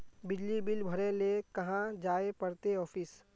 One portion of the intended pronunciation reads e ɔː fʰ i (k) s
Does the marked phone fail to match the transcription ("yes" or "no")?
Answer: yes